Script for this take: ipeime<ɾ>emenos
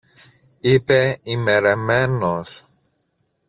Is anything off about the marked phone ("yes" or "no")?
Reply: no